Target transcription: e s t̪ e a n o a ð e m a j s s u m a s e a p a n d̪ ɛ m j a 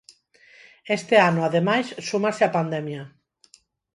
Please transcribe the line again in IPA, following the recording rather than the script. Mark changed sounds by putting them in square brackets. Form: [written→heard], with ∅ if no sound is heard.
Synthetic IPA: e s t̪ e a n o a ð e m a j s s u m a s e a p a n d̪ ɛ m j a